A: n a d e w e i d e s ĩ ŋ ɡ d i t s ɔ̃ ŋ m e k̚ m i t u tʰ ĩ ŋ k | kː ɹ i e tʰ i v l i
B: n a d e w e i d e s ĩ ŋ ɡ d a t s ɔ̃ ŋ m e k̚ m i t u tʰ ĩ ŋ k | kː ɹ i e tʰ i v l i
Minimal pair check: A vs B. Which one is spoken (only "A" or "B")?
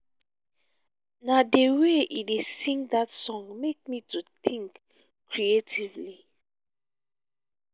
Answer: B